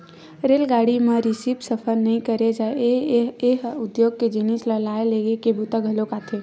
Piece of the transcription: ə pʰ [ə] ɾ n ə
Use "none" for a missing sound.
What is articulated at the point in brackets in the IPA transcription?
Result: ə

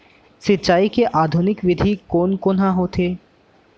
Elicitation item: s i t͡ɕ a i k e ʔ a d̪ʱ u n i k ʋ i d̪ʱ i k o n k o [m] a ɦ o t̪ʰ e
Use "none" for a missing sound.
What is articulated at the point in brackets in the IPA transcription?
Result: n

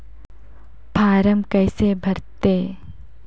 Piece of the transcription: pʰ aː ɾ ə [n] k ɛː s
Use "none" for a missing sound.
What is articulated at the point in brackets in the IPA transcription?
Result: m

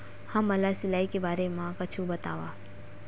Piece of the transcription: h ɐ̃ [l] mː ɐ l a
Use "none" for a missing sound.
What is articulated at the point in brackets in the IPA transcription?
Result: none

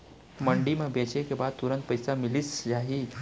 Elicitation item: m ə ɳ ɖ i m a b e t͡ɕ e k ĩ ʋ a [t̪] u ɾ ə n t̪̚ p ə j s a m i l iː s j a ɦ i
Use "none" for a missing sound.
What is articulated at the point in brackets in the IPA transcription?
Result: t̪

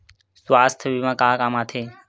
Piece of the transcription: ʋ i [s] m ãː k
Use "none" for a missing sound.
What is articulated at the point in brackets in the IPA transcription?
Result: none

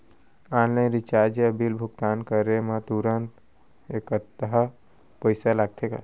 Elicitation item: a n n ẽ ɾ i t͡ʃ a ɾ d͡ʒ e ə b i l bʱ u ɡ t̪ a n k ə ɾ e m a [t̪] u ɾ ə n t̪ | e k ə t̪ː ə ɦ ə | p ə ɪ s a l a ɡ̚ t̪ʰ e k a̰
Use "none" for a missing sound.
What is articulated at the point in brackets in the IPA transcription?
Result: t̪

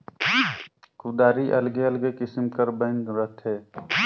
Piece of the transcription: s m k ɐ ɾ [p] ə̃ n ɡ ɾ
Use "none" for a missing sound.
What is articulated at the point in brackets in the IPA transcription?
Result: b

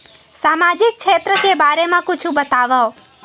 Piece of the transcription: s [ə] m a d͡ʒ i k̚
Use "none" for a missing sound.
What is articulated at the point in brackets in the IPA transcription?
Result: a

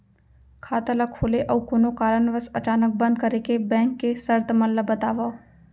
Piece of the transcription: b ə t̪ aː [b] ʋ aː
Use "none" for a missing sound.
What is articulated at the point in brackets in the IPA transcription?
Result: none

